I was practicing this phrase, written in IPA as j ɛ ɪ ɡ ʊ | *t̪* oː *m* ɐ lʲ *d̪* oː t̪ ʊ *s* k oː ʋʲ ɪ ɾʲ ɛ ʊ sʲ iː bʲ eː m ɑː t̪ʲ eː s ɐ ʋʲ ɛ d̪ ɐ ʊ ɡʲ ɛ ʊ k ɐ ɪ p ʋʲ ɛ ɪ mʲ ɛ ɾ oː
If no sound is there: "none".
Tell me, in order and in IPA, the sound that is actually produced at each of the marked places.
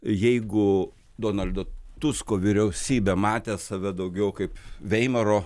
d̪, n, d̪, s

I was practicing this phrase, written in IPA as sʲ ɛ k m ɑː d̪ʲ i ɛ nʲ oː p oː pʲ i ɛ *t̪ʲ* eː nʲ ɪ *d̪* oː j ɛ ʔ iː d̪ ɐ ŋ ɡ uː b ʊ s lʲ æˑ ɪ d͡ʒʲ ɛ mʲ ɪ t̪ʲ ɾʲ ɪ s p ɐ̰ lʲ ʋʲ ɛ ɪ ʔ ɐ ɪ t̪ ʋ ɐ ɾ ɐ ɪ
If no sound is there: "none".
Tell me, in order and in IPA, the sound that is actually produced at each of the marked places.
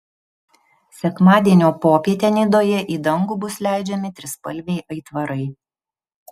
t̪ʲ, d̪

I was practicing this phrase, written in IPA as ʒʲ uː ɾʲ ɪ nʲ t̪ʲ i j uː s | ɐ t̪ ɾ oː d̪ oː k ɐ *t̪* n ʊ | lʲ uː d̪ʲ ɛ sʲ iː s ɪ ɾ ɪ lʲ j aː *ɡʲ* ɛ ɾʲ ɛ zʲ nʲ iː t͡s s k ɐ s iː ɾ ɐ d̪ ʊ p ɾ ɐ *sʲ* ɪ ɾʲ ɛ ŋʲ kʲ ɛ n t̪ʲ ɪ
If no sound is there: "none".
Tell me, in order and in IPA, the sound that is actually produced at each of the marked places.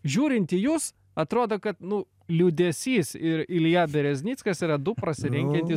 t̪, bʲ, sʲ

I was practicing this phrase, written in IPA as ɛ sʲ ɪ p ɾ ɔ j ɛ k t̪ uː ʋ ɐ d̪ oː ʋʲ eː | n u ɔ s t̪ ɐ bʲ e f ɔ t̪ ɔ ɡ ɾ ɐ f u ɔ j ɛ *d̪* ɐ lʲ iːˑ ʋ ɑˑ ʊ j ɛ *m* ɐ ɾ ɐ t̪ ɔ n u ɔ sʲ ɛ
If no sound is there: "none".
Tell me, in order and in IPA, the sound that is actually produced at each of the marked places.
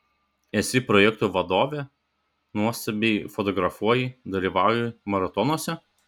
d̪, m

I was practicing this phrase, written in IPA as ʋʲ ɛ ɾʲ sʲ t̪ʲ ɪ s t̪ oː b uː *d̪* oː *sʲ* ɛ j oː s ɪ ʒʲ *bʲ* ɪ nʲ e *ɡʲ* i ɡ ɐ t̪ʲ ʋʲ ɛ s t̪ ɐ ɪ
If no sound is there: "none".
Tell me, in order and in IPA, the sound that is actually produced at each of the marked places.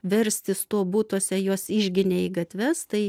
t̪, sʲ, ɡʲ, none

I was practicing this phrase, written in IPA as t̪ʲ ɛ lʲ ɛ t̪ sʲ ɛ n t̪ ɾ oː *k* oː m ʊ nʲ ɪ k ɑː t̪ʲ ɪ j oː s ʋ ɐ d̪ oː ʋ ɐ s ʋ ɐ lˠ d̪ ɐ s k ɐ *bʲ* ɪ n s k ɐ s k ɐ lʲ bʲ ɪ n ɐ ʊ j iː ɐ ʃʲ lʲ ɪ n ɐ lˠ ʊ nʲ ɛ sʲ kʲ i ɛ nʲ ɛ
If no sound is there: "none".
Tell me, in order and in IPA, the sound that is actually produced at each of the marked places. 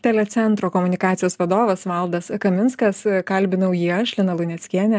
k, mʲ

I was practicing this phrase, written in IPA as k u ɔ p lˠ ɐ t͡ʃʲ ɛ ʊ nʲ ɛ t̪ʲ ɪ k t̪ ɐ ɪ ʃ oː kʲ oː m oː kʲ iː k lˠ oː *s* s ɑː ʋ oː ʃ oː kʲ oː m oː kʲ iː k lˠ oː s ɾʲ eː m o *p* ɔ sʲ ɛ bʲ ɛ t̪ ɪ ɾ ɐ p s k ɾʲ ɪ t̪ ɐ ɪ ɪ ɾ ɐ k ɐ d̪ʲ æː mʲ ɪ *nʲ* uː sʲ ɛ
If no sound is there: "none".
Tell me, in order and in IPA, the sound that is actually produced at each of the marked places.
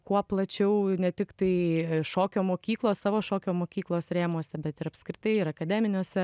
s, none, nʲ

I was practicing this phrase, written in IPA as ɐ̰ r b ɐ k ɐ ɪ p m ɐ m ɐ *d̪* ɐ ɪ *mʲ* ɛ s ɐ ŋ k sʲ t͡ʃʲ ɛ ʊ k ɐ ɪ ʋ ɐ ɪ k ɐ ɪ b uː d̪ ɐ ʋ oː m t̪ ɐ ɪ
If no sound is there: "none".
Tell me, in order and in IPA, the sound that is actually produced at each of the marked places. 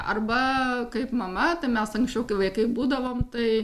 t̪, mʲ

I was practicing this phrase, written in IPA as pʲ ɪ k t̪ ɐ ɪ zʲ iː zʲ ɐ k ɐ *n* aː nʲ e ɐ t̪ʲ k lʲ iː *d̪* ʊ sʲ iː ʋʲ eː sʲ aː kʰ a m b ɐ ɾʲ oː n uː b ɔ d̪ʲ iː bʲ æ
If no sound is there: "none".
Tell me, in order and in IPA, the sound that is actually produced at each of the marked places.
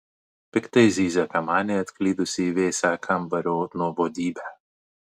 m, d̪

